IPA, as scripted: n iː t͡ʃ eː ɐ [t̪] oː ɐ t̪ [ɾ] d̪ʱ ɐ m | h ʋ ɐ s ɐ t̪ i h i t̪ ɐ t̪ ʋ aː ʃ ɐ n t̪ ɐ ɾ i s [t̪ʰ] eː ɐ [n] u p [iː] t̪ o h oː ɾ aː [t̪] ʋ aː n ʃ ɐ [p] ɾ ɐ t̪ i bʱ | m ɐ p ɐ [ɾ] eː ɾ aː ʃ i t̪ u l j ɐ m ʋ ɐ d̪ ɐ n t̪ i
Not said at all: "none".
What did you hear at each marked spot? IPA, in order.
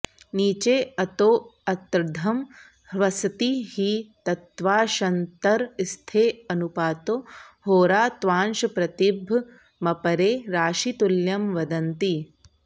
t̪, ɾ, t̪ʰ, n, aː, t̪, p, ɾ

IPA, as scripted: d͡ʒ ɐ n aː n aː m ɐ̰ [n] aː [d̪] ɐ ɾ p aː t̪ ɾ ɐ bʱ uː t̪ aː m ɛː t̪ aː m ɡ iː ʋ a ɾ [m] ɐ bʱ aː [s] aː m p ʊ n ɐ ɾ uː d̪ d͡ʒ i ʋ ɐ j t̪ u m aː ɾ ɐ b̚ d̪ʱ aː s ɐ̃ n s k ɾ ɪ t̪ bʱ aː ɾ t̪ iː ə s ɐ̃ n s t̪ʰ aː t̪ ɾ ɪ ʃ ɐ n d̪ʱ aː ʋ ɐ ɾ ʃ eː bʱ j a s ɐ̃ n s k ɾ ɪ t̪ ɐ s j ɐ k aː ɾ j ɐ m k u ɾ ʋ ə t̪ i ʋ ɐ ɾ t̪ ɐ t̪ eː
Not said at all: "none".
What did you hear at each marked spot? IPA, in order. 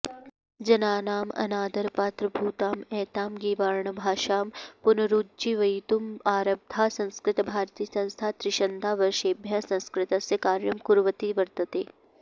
n, d̪, ɳ, ʃ

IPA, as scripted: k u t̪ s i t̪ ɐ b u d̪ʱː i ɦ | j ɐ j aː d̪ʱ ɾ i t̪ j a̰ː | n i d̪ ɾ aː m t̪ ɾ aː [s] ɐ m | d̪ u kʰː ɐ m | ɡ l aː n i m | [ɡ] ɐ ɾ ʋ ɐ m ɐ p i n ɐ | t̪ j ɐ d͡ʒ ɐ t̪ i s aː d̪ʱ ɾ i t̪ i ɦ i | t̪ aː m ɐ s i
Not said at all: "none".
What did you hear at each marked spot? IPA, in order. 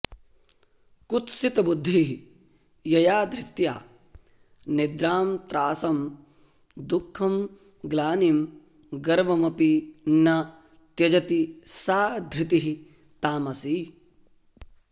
s, ɡ

